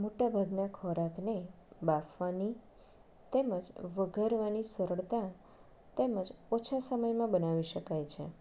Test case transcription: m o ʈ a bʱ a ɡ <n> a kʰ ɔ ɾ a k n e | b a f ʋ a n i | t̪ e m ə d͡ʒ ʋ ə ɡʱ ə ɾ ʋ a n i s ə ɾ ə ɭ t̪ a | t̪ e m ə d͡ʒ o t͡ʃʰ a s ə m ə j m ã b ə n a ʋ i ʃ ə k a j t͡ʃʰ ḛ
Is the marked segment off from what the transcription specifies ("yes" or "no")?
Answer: no